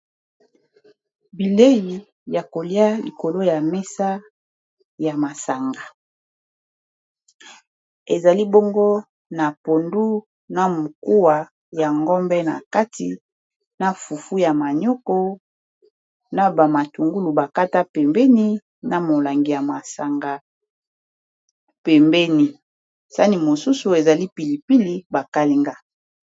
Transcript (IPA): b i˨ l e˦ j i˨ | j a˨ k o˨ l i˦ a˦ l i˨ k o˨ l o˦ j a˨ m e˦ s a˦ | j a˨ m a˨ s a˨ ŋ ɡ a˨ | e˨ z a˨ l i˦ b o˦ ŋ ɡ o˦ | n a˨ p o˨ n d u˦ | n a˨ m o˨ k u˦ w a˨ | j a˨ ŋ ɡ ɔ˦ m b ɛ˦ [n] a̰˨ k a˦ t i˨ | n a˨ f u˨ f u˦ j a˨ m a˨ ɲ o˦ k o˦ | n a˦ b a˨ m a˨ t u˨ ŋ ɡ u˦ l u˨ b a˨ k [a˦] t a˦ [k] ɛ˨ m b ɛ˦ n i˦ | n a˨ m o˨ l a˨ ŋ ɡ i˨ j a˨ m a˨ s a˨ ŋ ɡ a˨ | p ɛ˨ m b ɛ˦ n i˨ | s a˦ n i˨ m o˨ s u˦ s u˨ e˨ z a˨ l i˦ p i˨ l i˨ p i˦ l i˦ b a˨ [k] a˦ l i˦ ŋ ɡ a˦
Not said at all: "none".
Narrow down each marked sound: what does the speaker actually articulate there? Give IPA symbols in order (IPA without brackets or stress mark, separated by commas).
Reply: n, a˦, p, k